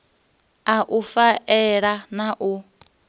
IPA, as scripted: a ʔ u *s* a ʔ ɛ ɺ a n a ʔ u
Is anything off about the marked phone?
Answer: yes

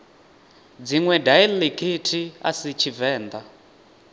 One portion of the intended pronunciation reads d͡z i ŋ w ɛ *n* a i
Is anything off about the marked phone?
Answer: yes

